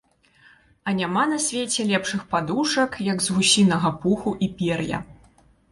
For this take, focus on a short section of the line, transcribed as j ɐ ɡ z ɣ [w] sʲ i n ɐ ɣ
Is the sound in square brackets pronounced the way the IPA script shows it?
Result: no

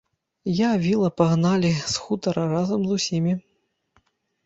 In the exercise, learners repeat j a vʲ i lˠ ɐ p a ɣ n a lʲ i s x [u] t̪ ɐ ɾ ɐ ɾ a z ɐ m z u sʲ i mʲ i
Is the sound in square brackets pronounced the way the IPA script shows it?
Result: yes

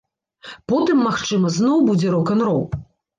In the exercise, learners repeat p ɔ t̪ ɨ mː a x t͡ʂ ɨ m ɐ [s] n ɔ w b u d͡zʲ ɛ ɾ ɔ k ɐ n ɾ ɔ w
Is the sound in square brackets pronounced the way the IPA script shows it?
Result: no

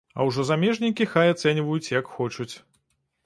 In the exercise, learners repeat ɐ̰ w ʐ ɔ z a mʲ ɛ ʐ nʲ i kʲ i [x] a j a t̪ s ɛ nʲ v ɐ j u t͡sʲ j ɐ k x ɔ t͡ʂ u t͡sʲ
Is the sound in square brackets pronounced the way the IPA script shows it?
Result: yes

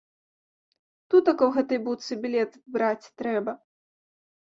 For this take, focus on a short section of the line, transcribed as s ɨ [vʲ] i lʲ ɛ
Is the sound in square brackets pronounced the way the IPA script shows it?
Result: no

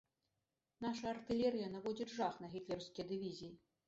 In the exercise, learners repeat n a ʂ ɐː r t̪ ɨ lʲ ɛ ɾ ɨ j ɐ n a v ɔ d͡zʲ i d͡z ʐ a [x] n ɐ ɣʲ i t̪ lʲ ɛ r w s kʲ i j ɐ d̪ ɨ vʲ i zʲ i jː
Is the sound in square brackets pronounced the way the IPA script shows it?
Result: yes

